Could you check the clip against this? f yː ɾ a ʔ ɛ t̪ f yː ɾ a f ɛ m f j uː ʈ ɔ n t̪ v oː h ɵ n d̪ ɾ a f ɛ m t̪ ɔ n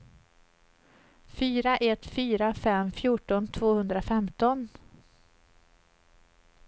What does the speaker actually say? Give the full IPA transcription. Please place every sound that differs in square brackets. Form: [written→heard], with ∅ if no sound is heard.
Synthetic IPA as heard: f yː ɾ a ʔ ɛ t̪ f yː ɾ a f ɛ m f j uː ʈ ɔ n [t̪→t̪ʰ] v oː h ɵ n d̪ ɾ a f ɛ m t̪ ɔ n